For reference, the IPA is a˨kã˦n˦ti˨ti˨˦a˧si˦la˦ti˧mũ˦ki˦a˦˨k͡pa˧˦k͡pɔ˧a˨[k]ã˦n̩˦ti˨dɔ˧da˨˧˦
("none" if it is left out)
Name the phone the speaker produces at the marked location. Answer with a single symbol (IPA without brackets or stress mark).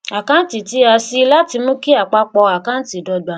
k